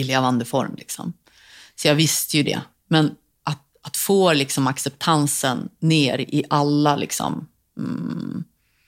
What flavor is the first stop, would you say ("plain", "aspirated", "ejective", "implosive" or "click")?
plain